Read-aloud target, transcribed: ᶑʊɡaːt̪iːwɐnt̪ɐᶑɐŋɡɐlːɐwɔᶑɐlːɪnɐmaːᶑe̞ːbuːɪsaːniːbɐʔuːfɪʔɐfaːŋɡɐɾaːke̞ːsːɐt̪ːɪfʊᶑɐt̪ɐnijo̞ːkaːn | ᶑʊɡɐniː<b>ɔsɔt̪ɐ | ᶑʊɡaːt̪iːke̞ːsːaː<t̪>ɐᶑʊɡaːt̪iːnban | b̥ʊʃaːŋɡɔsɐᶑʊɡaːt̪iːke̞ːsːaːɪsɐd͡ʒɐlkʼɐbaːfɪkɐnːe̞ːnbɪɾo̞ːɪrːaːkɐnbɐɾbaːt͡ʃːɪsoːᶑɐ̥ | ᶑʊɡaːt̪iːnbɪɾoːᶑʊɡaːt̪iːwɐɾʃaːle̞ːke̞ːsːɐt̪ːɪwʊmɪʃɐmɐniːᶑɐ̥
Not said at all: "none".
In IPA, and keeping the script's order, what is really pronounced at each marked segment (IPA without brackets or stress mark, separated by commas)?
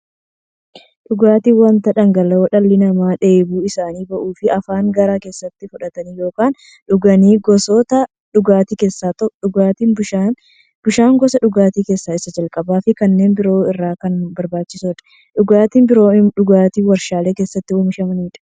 ɡ, t̪